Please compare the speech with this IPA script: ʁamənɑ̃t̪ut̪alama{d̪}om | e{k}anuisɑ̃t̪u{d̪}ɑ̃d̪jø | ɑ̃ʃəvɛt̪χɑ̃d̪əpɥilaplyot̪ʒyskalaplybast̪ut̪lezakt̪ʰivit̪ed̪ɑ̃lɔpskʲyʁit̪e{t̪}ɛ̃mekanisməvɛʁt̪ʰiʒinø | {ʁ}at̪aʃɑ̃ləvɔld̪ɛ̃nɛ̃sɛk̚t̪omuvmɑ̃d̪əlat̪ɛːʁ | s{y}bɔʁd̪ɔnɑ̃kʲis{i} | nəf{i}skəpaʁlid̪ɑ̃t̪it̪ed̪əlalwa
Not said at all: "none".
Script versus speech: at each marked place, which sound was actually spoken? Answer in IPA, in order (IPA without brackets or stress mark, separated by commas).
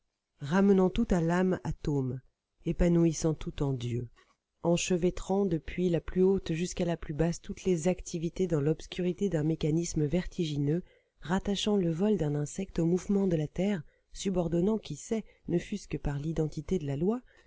t̪, p, t̪, d̪, ʁ, y, ɛ, y